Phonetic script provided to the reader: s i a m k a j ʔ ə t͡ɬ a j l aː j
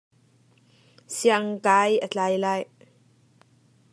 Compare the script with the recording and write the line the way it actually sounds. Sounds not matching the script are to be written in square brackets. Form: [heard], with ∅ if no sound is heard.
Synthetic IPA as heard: s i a [ŋ] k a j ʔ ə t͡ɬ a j l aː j